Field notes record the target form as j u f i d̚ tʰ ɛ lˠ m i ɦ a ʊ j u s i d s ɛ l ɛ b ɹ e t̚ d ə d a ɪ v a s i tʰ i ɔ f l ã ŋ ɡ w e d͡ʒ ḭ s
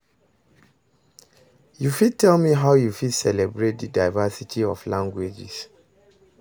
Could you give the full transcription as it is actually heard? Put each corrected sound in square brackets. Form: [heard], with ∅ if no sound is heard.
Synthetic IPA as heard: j u f i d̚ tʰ ɛ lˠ m i ɦ a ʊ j u [f] i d s ɛ l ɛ b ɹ e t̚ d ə d a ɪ v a s i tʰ i ɔ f l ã ŋ ɡ w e d͡ʒ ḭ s